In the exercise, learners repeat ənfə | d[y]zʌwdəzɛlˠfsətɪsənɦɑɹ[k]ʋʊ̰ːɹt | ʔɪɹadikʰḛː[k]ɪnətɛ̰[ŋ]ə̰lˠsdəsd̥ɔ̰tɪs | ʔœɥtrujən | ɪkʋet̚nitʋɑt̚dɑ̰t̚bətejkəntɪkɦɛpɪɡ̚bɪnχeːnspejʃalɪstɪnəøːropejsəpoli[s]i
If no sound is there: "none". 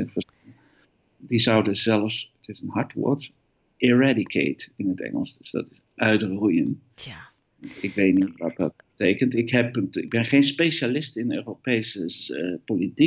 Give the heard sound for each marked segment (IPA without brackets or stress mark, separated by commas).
i, t, t, ŋ, t